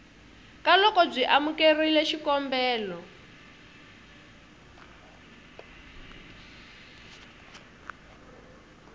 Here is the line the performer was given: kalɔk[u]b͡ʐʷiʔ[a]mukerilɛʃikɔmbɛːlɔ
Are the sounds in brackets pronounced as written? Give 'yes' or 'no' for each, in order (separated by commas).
no, yes